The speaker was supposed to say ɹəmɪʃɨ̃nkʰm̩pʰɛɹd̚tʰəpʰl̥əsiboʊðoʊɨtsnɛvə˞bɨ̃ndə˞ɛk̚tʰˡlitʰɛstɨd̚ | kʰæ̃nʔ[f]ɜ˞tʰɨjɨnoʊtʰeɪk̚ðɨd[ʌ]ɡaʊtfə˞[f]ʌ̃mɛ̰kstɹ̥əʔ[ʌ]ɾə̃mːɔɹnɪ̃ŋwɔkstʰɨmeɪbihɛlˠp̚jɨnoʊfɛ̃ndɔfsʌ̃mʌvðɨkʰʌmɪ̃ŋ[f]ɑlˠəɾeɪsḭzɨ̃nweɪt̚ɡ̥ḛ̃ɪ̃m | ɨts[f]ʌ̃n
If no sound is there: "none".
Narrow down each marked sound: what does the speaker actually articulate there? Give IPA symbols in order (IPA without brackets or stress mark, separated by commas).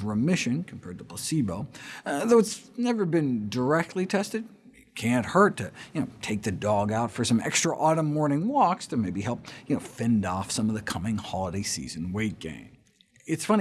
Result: h, ɔ, s, ɔ, h, f